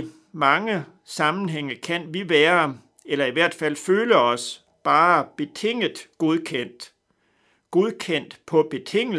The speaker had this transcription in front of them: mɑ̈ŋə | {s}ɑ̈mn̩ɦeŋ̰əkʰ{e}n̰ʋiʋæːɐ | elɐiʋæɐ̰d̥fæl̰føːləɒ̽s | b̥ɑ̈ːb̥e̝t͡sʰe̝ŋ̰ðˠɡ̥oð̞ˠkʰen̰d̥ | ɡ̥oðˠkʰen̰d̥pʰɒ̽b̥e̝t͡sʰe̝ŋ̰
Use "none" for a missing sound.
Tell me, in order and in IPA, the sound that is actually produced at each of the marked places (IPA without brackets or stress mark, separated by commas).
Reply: s, æ